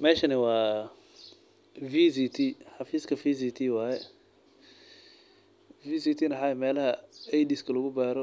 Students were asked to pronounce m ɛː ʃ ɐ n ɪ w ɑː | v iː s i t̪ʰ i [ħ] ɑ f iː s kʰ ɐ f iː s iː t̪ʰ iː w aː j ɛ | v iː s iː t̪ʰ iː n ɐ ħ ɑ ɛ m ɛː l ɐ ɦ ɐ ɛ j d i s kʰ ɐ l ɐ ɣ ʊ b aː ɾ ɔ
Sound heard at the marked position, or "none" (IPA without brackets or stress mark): ħ